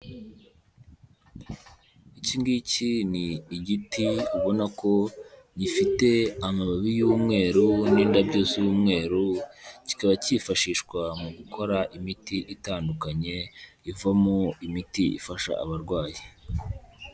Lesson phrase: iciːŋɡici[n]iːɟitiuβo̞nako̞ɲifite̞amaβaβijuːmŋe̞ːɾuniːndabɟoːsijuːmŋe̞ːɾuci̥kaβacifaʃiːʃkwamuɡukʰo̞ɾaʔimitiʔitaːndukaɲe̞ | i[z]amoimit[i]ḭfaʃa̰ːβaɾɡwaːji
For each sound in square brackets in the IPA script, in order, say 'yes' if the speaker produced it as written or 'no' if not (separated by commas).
yes, no, yes